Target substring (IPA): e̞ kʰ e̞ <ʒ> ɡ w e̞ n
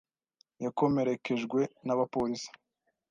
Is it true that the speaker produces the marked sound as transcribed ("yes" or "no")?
yes